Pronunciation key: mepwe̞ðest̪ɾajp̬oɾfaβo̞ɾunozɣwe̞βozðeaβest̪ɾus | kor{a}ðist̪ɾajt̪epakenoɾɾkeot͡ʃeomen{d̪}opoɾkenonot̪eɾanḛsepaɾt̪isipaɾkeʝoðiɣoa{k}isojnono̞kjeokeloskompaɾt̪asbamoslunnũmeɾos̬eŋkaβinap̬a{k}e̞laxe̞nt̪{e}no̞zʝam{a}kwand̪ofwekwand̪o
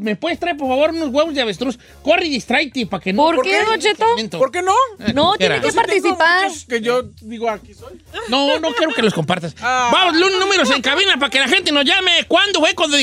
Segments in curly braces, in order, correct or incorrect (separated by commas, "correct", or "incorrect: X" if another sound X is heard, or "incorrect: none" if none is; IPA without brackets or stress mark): incorrect: i, incorrect: t̪, correct, correct, correct, incorrect: e